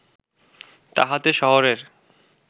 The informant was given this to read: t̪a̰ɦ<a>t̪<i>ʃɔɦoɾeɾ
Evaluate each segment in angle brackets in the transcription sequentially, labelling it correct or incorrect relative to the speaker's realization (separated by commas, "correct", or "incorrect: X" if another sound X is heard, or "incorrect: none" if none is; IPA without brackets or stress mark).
correct, incorrect: e